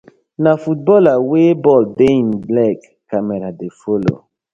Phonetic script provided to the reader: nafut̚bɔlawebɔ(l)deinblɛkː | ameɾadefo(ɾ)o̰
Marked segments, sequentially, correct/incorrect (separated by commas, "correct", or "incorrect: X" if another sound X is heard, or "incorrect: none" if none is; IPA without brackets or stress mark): correct, incorrect: l